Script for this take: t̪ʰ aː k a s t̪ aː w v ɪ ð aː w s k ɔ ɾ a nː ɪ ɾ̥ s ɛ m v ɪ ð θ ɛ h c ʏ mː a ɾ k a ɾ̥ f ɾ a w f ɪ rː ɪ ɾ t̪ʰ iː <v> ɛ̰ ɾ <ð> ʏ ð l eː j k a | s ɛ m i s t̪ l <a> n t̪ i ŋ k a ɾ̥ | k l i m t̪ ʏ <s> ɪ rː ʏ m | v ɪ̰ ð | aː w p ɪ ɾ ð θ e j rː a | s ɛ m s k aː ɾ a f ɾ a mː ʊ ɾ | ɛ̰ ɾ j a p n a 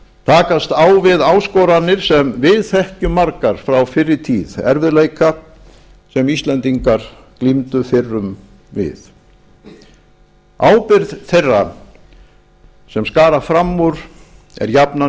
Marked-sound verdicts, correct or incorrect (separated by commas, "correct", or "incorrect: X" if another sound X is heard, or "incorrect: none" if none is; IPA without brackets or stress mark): incorrect: ð, incorrect: v, incorrect: ɛ, incorrect: f